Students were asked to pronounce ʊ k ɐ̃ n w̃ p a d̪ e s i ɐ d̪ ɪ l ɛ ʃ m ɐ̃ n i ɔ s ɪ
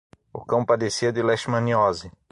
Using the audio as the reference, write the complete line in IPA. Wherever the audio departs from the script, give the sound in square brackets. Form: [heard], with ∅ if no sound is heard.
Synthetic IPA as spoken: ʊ k ɐ̃ [∅] w̃ p a d̪ e s i ɐ d̪ ɪ l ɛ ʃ m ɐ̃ n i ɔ [z] ɪ